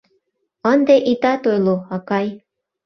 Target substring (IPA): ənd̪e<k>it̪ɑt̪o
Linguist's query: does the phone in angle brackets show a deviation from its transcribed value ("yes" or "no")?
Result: yes